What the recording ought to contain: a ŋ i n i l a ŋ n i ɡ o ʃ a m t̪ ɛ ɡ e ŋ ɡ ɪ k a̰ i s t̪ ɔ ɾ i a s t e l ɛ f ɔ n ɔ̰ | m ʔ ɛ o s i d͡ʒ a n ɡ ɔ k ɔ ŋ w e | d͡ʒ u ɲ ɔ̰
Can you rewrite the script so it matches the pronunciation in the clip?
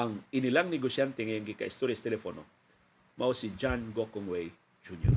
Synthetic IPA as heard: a ŋ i n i l a ŋ n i ɡ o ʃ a n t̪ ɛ ŋ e ŋ ɡ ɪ k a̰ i s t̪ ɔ ɾ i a s t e l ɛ f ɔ n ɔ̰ | m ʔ a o s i d͡ʒ a n ɡ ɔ k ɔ ŋ w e | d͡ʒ u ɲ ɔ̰